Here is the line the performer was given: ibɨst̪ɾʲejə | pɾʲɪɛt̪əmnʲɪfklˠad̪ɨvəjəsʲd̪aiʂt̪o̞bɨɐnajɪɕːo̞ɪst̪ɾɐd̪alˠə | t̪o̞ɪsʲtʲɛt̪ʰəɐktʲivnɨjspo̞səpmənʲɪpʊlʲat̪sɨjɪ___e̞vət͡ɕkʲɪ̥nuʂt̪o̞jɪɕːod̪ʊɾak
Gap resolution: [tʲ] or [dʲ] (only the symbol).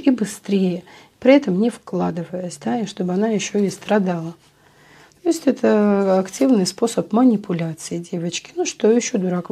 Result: dʲ